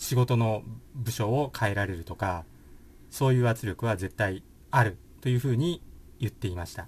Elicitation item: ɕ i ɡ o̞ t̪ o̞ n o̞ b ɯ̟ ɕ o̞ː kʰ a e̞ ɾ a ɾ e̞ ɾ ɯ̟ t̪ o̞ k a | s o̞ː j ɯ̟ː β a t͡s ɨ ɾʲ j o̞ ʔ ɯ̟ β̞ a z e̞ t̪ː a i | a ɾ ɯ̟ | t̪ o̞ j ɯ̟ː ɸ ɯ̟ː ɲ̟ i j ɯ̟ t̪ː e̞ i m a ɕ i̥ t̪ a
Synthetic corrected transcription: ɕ i ɡ o̞ t̪ o̞ n o̞ b ɯ̟ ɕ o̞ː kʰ a e̞ ɾ a ɾ e̞ ɾ ɯ̟ t̪ o̞ k a | s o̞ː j ɯ̟ː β a t͡s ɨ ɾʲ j o̞ k ɯ̟ β̞ a z e̞ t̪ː a i | a ɾ ɯ̟ | t̪ o̞ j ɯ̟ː ɸ ɯ̟ː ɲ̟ i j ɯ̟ t̪ː e̞ i m a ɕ i̥ t̪ a